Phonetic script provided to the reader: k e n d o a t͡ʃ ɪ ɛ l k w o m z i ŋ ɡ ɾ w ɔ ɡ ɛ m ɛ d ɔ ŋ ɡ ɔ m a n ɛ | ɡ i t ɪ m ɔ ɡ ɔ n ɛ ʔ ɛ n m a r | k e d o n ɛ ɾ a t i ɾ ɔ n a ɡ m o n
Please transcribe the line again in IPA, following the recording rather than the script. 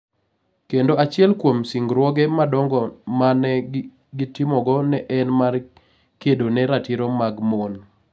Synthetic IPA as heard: k e n d o a t͡ʃ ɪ ɛ l k w o m s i ŋ ɡ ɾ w ɔ ɡ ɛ m a d ɔ ŋ ɡ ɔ m a n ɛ | ɡ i t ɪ m ɔ ɡ ɔ n ɛ ʔ ɛ n m a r | k e d o n ɛ ɾ a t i ɾ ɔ m a ɡ m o n